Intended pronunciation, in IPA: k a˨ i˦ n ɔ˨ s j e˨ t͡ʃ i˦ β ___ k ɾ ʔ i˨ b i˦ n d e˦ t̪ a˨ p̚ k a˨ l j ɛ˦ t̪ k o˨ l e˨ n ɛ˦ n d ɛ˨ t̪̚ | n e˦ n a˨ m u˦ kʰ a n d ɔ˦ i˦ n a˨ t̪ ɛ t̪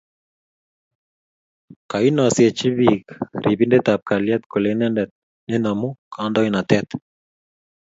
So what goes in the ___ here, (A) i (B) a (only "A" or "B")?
A